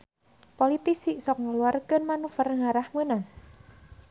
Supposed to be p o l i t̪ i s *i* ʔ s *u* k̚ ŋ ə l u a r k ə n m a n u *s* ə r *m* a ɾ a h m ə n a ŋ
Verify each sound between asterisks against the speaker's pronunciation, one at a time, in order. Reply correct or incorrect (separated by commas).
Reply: correct, incorrect, incorrect, incorrect